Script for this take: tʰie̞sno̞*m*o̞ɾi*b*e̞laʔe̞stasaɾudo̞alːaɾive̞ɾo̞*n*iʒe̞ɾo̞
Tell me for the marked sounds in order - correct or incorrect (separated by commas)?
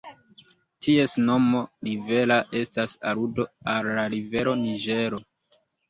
correct, incorrect, correct